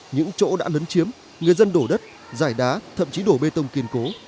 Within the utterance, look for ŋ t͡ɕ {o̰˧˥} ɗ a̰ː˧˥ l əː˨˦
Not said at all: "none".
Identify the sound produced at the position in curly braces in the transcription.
o̰˧˥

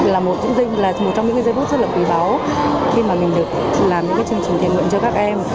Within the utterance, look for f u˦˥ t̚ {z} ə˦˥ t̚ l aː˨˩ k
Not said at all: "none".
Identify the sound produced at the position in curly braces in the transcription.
z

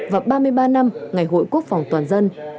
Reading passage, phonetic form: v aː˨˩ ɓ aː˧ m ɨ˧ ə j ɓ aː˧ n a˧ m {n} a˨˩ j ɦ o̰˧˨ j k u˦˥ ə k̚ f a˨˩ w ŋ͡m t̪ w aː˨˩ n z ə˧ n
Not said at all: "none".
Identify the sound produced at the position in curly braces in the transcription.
ŋ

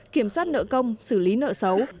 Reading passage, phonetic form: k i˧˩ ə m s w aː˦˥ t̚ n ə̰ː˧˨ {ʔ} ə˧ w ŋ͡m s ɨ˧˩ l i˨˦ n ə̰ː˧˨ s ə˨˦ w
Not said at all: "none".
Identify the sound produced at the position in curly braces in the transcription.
k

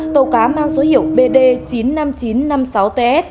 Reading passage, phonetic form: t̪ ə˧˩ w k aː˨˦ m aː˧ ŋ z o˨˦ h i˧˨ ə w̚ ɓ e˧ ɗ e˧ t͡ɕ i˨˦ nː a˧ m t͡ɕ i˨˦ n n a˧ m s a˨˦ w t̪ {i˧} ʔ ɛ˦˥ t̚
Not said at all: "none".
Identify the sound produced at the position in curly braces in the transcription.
e˧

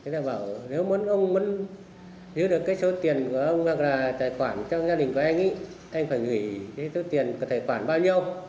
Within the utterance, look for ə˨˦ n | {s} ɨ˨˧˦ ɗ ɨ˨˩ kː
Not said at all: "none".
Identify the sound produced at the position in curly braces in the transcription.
z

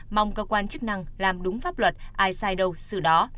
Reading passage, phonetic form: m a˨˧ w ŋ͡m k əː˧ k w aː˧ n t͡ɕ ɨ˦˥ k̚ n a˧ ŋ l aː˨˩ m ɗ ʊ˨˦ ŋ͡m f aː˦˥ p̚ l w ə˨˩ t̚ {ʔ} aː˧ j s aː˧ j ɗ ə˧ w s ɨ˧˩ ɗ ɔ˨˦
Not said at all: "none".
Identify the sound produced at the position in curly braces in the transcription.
ʔ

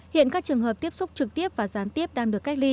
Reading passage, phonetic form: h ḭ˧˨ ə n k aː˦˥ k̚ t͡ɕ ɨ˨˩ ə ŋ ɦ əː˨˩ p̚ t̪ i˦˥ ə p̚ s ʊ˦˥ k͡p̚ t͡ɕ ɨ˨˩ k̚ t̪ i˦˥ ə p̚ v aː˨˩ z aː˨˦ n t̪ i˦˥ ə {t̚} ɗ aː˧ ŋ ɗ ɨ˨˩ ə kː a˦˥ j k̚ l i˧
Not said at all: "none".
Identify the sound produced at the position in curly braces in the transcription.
p̚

